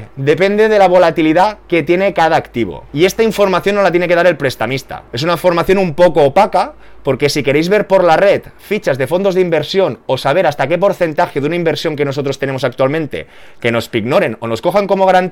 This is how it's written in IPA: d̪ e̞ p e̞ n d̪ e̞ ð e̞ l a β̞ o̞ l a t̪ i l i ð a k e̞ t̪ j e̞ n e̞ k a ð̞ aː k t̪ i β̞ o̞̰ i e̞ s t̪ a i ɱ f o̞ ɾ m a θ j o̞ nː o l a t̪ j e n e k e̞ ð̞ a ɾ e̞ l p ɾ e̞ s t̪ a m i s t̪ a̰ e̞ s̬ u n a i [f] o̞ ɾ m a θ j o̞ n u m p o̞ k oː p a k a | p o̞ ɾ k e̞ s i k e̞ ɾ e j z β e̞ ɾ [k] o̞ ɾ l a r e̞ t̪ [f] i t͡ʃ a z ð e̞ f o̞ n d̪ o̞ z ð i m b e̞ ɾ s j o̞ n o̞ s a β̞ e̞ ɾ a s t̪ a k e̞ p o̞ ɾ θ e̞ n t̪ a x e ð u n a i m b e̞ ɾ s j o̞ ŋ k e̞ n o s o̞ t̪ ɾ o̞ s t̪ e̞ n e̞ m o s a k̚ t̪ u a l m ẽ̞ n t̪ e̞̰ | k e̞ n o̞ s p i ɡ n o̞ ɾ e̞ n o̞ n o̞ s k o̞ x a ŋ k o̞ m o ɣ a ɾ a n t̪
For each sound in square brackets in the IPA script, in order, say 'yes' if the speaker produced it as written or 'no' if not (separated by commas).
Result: yes, no, yes